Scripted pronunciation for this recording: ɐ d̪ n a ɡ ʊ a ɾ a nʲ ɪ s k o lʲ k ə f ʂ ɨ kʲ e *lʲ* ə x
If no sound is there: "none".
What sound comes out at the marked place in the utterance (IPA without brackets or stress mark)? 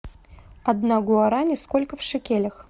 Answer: lʲ